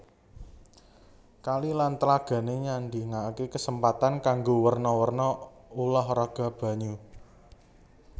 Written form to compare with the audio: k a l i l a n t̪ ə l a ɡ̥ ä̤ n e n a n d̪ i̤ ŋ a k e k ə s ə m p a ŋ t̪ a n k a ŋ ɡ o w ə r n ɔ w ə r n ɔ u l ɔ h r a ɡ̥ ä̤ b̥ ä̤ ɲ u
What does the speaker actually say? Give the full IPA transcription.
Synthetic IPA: k a l i l a n t̪ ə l a ɡ̥ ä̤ n e ɲ a n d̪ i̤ ŋ a k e k ə s ə m p a t̪ a n k a ŋ ɡ o w ə r n ɔ w ə r n ɔ u l ɔ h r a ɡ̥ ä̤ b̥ ä̤ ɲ u